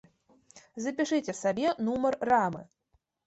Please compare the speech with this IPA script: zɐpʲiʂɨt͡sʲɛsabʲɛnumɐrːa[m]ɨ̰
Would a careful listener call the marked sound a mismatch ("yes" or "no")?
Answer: no